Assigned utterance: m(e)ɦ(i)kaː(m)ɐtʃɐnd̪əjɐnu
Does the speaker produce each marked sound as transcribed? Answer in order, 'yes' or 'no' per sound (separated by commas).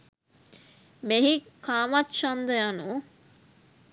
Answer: yes, yes, yes